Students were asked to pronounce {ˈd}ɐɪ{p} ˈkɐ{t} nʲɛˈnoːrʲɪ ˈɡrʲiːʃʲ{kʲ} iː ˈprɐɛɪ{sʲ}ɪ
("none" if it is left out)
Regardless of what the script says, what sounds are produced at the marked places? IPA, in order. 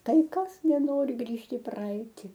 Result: t, none, s, tʲ, tʲ

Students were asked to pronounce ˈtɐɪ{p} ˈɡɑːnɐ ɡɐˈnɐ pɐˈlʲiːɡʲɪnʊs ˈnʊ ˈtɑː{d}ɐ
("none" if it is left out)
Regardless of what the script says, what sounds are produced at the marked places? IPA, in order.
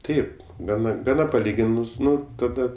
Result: p, d

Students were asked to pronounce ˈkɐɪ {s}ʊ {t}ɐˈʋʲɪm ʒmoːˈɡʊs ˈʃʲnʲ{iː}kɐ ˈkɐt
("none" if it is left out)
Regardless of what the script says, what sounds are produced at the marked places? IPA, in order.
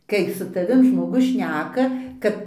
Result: s, t, æː

